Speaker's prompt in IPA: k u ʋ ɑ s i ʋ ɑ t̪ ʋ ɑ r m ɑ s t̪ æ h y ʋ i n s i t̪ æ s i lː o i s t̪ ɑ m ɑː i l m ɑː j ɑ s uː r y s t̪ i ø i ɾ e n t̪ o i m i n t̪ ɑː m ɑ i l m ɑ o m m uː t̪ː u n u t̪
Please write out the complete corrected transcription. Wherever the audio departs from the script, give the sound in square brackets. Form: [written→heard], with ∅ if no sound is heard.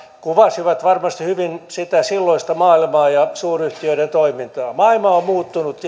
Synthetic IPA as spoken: k u ʋ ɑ s i ʋ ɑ t̪ ʋ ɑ r m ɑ s t̪ [æ→i] h y ʋ i n s i t̪ æ s i lː o i s t̪ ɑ m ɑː i l m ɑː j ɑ s uː r y [s→h] t̪ i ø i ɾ e n t̪ o i m i n t̪ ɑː m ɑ i l m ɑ o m m uː t̪ː u n u t̪